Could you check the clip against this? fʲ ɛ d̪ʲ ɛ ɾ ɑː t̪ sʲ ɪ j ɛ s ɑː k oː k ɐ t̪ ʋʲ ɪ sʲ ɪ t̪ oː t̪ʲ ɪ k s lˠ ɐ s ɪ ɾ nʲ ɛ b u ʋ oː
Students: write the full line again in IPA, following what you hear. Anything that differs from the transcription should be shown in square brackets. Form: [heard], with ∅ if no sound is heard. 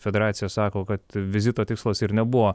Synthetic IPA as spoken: fʲ ɛ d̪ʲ ɛ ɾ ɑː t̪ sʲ ɪ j ɛ s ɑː k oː k ɐ t̪ ʋʲ ɪ [zʲ] ɪ t̪ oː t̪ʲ ɪ k s lˠ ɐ s ɪ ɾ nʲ ɛ b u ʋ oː